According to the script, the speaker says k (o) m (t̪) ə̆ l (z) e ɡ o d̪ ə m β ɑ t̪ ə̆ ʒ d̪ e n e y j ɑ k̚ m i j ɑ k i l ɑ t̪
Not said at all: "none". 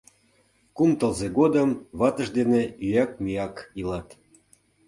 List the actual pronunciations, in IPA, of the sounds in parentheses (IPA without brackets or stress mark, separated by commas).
u, t̪, z